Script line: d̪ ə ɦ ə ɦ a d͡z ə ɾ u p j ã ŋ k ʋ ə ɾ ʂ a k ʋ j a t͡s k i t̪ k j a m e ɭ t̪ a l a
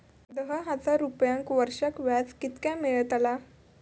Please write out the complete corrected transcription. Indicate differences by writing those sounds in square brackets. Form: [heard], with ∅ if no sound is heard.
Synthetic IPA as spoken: d̪ ə ɦ ə ɦ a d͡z [a] ɾ u p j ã ŋ k ʋ ə ɾ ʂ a k ʋ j a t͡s k i t̪ k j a m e ɭ t̪ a l a